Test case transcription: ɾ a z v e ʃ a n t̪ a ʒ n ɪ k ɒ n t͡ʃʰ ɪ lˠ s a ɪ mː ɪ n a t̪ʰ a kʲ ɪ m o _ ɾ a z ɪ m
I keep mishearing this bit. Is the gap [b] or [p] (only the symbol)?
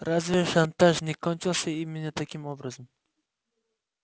b